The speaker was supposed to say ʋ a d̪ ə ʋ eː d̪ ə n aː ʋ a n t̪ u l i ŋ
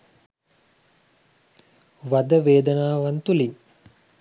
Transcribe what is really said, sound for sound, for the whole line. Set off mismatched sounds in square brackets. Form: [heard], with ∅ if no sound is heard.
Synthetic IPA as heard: ʋ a d̪ ə ʋ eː d̪ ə n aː ʋ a n t̪ u l i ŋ